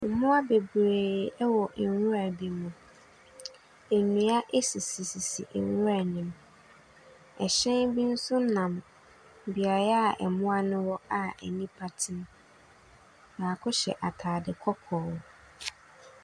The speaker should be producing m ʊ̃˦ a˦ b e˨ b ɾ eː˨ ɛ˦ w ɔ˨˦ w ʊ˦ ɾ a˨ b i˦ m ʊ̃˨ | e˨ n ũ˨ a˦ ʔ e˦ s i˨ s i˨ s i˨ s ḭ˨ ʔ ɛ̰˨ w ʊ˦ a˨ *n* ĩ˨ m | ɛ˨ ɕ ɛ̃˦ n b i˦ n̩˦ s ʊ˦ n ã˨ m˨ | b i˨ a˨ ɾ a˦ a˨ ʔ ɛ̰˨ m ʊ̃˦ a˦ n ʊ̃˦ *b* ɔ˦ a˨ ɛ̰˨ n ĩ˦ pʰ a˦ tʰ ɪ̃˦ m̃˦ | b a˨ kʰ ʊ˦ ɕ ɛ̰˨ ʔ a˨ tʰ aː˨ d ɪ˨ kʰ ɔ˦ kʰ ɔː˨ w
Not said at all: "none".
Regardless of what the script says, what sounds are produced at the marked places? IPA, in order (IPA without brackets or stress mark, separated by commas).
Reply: n, w